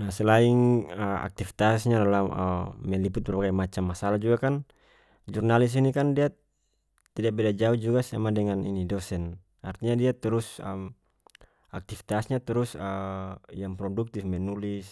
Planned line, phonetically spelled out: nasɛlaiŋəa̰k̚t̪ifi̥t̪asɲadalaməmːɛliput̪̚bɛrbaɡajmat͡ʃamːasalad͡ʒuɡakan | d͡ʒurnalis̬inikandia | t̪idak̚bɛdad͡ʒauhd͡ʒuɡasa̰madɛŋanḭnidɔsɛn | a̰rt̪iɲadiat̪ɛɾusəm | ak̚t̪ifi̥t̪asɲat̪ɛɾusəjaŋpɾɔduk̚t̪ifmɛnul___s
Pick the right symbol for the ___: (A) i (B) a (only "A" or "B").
A